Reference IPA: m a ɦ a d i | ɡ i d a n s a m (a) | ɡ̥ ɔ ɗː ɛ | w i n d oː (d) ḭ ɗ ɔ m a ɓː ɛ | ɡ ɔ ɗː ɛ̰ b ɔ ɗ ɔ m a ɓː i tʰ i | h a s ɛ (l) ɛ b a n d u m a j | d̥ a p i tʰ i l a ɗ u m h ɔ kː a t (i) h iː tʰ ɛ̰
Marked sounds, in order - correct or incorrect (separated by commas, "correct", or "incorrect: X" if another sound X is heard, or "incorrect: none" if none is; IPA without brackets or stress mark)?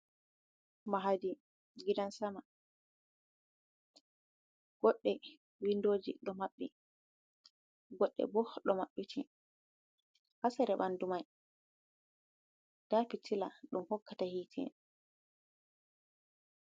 correct, incorrect: d͡ʒ, incorrect: ɾ, incorrect: a